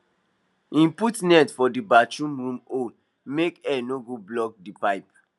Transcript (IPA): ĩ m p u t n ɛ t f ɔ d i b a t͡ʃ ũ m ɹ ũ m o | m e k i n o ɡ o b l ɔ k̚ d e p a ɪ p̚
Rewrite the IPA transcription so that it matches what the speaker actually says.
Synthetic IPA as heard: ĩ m p u t n ɛ t f ɔ d i b a t͡ʃ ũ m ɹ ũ m o | m e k ɛ n o ɡ o b l ɔ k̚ d i p a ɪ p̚